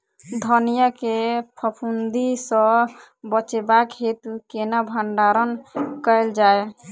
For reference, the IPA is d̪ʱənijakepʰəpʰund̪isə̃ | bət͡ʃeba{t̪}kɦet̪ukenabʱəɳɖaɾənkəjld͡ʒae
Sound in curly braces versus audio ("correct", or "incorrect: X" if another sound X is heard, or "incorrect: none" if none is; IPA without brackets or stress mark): incorrect: none